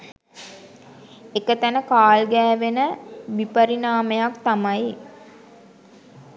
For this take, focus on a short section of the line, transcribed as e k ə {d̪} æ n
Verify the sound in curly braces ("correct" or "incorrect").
incorrect